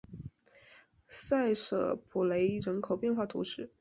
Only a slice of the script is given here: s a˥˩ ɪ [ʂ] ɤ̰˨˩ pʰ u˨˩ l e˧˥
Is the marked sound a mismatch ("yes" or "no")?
no